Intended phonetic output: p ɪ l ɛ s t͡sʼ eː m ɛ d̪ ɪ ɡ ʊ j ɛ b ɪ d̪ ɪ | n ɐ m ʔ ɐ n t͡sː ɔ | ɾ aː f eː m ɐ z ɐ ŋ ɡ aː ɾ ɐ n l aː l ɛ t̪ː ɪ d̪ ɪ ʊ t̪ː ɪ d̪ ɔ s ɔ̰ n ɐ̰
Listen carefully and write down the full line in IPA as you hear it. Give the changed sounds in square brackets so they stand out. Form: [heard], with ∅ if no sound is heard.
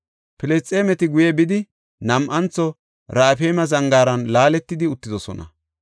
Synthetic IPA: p ɪ l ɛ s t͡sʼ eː m ɛ [t̪] ɪ ɡ ʊ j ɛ b ɪ d̪ ɪ | n ɐ m ʔ ɐ n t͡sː ɔ | ɾ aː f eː m ɐ z ɐ ŋ ɡ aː ɾ ɐ n l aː l ɛ t̪ː ɪ d̪ ɪ ʊ t̪ː ɪ d̪ ɔ s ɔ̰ n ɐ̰